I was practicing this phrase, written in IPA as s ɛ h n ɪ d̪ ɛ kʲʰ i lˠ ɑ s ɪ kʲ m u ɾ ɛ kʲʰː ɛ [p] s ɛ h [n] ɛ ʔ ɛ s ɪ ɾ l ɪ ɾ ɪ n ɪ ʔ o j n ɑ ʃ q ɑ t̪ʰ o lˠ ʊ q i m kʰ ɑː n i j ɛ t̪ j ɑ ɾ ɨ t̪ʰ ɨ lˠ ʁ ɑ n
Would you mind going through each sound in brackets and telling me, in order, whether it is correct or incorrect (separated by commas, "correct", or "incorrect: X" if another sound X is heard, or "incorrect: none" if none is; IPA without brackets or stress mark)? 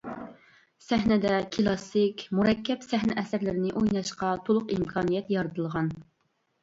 correct, correct